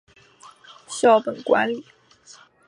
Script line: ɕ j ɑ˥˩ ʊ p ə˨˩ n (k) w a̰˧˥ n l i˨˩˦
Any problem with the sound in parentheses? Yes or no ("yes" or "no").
no